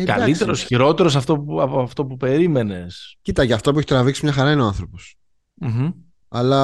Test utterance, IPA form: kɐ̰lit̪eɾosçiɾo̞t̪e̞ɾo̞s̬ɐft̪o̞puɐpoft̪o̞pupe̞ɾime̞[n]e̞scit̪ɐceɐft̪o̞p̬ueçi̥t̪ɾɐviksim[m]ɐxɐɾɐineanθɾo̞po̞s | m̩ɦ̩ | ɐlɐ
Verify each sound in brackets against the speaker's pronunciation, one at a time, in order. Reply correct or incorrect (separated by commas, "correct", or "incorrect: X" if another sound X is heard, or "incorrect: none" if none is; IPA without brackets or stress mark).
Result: correct, incorrect: ɲ